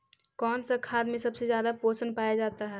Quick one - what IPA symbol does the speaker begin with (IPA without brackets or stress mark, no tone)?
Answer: k